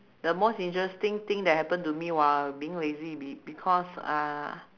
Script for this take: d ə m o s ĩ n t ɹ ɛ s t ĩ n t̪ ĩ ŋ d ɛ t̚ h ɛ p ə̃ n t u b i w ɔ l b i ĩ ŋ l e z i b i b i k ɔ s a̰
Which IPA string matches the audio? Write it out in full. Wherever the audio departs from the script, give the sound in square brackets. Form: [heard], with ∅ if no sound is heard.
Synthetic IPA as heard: d ə m o s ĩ n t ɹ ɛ s t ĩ [ŋ] t̪ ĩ ŋ d ɛ t̚ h ɛ p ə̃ n t u [m] i w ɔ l b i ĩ ŋ l e z i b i b i [kʰ] ɔ s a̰